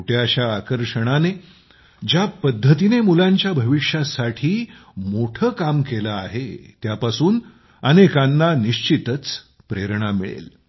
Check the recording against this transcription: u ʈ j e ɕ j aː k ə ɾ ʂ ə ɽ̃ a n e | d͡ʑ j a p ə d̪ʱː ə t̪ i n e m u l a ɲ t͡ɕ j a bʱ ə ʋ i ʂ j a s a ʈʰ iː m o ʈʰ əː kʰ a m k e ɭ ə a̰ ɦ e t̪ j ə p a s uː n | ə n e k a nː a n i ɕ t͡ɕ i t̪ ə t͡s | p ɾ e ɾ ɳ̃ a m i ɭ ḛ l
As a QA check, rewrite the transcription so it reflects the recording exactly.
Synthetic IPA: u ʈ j a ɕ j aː k ə ɾ ʂ ə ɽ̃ a n e | d͡ʑ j a p ə d̪ʱː ə t̪ i n e m u l a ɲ t͡ɕ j a bʱ ə ʋ i ʂ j a s a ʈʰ iː m o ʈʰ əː k a m k e l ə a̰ ɦ e t̪ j a p a s uː n | ə n e k a nː a n i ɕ t͡ɕ i t̪ ə t͡s | p ɾ e ɾ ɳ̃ a m i ɭ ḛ l